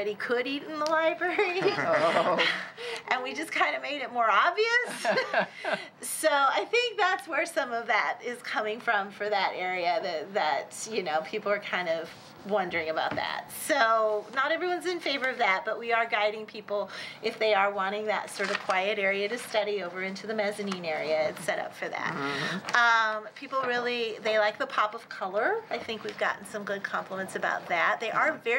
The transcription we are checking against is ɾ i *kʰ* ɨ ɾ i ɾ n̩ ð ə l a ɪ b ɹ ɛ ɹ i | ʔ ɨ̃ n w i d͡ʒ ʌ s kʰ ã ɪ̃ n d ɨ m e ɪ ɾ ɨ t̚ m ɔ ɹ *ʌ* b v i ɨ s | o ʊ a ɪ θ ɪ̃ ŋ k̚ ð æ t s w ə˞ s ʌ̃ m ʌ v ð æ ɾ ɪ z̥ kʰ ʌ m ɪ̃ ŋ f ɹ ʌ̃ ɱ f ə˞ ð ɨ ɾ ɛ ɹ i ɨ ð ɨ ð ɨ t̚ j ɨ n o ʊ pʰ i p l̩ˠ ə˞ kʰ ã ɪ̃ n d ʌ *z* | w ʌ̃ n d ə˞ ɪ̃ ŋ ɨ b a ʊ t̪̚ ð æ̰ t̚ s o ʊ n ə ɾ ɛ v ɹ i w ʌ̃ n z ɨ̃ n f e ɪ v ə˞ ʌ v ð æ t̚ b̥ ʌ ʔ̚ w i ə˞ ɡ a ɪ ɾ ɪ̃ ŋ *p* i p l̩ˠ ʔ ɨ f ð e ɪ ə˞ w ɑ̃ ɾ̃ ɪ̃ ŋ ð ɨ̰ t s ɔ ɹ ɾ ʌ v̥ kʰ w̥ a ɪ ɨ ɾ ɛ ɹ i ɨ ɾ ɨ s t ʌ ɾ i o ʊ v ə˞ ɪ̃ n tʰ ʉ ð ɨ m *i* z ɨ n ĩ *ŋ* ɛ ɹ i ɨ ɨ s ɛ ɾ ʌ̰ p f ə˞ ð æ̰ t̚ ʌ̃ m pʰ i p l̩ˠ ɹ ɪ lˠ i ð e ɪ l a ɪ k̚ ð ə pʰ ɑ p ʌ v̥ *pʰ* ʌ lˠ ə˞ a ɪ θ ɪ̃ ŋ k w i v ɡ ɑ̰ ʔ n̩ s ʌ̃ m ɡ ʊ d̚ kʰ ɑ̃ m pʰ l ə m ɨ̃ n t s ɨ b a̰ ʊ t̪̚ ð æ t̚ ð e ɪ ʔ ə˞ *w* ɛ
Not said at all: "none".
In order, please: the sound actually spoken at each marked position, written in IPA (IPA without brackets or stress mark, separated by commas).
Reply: kʰ, ɑ, v, pʰ, ɛ, n, kʰ, v